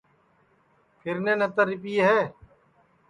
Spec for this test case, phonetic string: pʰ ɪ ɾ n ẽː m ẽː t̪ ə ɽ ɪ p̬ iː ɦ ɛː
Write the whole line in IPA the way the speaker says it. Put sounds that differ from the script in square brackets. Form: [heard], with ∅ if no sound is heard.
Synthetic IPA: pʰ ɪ ɾ n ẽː [n] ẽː t̪ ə [ɾ] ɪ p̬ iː ɦ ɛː